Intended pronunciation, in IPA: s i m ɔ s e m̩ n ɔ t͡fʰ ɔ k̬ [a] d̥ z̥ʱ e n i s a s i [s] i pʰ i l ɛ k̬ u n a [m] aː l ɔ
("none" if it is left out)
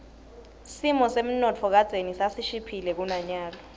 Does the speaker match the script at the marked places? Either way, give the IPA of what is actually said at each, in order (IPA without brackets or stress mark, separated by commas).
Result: a, ʃ, ɲ